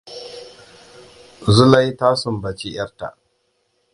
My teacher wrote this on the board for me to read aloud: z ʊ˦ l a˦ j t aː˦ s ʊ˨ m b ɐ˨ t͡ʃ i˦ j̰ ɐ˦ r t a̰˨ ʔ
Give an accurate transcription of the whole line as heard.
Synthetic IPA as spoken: z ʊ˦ l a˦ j t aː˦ s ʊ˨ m b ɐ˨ t͡ʃ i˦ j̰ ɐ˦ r t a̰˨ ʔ